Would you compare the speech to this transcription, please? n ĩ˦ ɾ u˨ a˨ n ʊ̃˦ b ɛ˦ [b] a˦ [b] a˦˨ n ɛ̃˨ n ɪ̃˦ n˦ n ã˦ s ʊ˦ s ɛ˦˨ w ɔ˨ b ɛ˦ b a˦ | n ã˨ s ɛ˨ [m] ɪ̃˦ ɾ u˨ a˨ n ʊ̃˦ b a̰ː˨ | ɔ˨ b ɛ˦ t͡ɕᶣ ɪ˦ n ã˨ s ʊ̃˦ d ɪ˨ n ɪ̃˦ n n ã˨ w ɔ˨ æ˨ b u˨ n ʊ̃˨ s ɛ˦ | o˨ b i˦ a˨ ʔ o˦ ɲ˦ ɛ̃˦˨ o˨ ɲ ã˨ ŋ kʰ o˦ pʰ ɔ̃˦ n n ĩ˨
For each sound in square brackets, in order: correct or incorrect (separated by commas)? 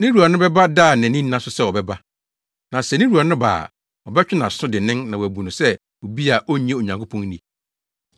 correct, incorrect, incorrect